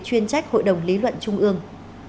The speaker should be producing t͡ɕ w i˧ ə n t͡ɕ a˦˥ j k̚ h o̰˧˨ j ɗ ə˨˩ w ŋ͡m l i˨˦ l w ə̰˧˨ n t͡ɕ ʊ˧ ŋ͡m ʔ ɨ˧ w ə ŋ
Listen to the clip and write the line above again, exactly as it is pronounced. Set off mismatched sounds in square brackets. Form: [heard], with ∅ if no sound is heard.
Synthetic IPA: t͡ɕ w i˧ ə n t͡ɕ a˦˥ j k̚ h o̰˧˨ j ɗ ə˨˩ w ŋ͡m l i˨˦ l w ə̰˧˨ n t͡ɕ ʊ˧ ŋ͡m ʔ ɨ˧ [∅] ə ŋ